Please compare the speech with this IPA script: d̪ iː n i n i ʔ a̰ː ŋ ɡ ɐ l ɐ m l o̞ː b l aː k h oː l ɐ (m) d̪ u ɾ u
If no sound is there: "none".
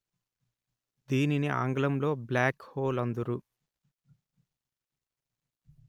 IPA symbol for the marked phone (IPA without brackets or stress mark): n